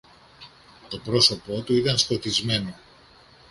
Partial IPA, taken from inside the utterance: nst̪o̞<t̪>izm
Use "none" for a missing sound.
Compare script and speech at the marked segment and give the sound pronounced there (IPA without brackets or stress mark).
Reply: t̪